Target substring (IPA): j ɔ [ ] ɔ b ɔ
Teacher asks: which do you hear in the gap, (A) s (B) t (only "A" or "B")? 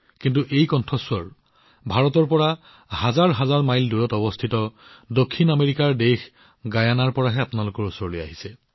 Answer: B